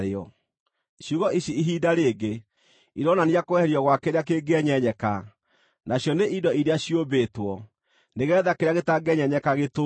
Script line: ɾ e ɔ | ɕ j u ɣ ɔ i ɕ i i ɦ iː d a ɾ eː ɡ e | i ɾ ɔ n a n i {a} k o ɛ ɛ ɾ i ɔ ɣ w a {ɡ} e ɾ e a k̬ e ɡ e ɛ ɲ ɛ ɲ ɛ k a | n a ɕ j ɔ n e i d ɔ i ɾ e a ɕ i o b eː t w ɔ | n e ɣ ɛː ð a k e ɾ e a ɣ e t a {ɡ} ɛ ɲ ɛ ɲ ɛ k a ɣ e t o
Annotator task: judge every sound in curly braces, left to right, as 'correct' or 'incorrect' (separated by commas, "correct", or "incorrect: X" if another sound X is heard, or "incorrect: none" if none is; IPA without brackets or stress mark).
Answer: correct, incorrect: k, correct